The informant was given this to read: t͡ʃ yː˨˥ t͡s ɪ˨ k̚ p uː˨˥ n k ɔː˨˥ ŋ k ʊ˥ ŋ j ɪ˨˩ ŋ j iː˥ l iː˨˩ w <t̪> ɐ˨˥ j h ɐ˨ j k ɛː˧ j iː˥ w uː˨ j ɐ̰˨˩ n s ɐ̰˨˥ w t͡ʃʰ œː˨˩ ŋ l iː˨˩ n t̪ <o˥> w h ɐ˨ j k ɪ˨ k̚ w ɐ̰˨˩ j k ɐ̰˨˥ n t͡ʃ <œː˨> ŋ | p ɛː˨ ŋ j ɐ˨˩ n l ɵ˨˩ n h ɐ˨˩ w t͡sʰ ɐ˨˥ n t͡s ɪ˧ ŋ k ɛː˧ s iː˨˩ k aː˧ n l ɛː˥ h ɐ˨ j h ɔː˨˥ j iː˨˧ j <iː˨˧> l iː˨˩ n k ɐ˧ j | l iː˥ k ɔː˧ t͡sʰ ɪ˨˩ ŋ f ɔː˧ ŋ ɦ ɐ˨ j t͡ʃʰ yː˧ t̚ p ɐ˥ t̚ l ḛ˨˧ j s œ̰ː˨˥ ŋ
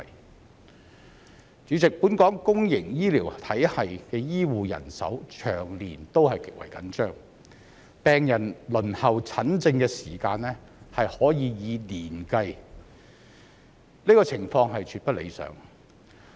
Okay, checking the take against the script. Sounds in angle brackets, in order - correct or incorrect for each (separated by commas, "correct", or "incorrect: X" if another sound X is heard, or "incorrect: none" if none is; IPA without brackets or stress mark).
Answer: incorrect: t̪ʰ, correct, incorrect: œː˥, correct